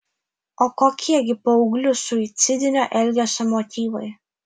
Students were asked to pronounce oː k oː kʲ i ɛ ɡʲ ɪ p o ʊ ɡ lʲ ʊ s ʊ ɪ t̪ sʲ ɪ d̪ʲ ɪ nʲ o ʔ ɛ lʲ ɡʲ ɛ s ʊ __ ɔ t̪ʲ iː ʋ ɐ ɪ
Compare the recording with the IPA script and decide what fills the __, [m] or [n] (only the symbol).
m